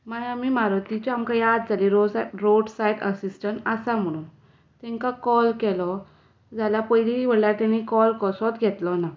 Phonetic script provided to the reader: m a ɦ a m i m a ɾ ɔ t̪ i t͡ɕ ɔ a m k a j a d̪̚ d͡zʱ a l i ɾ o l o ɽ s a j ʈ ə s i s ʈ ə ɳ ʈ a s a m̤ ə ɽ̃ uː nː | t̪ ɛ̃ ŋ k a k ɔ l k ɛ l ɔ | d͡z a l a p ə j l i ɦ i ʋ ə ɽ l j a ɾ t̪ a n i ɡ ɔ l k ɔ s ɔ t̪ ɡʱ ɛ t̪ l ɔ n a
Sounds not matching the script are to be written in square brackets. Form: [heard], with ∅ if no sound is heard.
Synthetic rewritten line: m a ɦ a m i m a ɾ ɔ t̪ i t͡ɕ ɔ a m k a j a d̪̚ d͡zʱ a l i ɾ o [ɾ] o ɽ s a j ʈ ə s i s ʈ ə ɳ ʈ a s a m̤ ə ɽ̃ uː [n] | t̪ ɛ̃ ŋ k a k ɔ l k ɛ l ɔ | d͡z a l a p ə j l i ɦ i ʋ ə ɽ l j a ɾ t̪ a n i [k] ɔ l k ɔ s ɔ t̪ ɡʱ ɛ t̪ l ɔ n a